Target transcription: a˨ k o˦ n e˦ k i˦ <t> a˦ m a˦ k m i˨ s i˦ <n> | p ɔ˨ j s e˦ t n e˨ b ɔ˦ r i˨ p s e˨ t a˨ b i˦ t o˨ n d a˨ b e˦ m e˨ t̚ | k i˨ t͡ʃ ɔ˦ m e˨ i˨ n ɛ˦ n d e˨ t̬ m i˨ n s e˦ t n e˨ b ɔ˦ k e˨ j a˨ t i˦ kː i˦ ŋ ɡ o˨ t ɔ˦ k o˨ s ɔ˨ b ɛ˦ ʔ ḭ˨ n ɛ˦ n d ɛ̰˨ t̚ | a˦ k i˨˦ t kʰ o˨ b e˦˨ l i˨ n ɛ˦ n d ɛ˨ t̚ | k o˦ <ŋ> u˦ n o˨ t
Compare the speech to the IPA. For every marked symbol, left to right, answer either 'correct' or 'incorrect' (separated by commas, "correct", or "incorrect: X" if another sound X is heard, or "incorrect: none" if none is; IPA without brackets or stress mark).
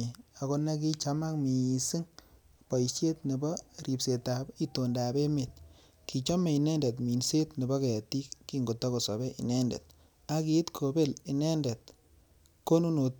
incorrect: t͡ʃ, incorrect: ŋ, incorrect: n